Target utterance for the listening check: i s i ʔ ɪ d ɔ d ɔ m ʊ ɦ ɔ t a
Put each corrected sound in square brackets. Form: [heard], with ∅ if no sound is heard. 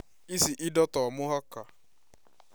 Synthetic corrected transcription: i s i ʔ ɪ d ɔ [t] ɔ m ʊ ɦ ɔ [k] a